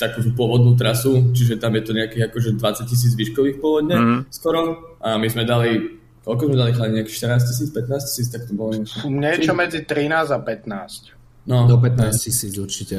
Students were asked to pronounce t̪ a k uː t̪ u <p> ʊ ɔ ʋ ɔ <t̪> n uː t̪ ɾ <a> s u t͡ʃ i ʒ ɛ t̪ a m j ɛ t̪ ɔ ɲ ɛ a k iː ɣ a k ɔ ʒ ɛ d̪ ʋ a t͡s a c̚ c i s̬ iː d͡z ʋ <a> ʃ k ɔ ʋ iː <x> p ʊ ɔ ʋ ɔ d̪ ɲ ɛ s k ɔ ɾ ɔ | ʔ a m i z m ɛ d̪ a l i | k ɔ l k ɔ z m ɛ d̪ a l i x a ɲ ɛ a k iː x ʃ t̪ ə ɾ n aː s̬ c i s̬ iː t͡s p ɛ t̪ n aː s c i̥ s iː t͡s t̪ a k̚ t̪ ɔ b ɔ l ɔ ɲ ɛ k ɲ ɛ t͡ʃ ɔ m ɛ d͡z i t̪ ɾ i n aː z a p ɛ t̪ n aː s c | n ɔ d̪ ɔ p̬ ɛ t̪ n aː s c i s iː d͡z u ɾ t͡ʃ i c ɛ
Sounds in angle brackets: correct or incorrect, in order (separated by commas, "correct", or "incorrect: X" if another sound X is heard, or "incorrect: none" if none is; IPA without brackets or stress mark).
correct, incorrect: d̪, correct, incorrect: i, correct